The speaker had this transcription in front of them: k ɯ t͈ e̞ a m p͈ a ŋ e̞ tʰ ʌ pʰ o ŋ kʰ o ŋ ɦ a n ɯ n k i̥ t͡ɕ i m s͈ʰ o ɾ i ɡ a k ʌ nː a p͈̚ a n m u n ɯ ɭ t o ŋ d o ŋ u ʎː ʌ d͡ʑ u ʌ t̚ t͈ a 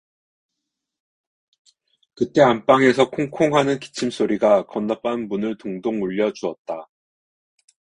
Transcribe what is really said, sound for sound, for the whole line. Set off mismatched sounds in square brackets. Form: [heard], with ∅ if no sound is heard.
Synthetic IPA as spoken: k ɯ t͈ e̞ a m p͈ a ŋ e̞ [sʰ] ʌ [kʰ] o ŋ kʰ o ŋ ɦ a n ɯ n k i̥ [t͡ɕʰ] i m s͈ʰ o ɾ i ɡ a k ʌ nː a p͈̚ a n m u n ɯ ɭ t o ŋ d o ŋ u ʎː ʌ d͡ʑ u ʌ t̚ t͈ a